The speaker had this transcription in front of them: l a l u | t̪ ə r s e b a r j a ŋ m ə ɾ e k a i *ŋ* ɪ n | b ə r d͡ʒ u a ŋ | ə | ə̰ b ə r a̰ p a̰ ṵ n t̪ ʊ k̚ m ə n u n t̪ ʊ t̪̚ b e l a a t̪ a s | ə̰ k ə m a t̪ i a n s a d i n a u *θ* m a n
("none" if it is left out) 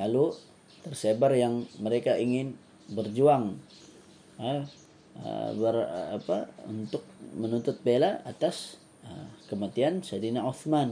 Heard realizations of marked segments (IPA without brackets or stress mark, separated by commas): ŋ, θ